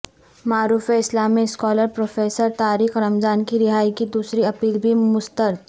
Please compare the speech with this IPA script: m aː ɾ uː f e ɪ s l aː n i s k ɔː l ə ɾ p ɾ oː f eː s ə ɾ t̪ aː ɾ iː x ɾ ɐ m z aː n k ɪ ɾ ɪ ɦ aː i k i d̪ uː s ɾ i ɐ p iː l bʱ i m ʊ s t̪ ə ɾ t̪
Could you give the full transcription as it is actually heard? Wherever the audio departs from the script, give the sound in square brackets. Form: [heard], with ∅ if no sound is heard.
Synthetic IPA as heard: m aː ɾ uː f e ɪ s l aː [m] i s k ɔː l ə ɾ p ɾ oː f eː s ə ɾ t̪ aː ɾ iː x ɾ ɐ m z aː n k [i] ɾ ɪ ɦ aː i k i d̪ uː s ɾ i ɐ p iː l bʱ i m ʊ s t̪ ə ɾ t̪